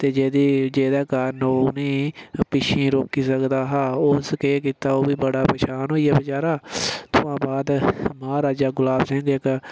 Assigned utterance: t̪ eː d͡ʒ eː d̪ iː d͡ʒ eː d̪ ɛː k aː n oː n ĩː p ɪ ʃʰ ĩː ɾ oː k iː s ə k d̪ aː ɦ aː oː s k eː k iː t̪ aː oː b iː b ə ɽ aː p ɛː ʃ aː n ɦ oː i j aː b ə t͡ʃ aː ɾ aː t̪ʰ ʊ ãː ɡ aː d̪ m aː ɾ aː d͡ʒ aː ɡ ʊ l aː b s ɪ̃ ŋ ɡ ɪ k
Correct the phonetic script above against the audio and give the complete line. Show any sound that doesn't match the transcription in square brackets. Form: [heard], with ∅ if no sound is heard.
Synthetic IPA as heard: t̪ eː d͡ʒ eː d̪ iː d͡ʒ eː d̪ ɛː k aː n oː n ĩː p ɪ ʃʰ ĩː ɾ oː k iː s ə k d̪ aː ɦ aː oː s k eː k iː t̪ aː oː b iː b ə ɽ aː p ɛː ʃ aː n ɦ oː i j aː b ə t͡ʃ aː ɾ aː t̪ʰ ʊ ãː [b] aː d̪ m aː ɾ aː d͡ʒ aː ɡ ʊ l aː b s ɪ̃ ŋ ɡ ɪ k